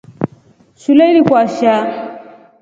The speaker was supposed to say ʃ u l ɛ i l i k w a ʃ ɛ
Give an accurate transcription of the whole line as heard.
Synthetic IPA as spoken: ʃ u l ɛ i l i k w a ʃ a